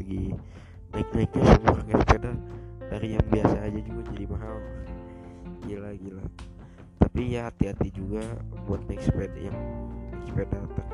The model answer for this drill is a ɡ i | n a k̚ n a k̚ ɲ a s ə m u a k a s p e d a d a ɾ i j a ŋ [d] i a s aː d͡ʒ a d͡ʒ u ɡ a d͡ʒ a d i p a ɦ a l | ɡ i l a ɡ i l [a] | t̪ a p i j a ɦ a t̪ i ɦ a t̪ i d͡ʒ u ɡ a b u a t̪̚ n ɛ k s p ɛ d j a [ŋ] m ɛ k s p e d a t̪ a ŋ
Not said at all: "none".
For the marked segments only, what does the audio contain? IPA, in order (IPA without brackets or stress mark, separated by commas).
b, a, ŋ